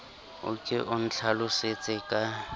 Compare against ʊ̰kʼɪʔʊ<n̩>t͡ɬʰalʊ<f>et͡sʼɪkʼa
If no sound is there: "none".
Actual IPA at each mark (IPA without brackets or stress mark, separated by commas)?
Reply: n̩, s